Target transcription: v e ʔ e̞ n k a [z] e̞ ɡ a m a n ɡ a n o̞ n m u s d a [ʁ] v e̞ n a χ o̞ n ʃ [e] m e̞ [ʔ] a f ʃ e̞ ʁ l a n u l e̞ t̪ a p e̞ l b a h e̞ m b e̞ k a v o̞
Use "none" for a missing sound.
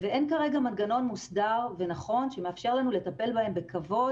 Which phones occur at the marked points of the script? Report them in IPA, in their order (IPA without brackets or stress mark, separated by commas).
ʁ, ʁ, e, none